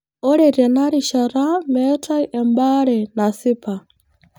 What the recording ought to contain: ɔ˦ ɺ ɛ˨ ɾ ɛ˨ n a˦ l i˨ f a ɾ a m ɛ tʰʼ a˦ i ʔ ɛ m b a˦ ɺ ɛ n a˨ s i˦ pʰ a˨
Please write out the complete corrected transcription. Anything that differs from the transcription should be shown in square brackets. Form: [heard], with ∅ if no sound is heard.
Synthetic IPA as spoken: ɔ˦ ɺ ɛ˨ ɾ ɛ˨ n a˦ [ɾ] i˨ [ʃ] a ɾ a m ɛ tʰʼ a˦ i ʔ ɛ m b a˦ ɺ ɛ n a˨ s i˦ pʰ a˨